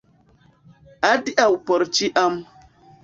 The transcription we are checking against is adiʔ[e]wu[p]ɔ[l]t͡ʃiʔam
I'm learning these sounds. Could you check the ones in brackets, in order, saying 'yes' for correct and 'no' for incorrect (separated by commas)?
no, yes, no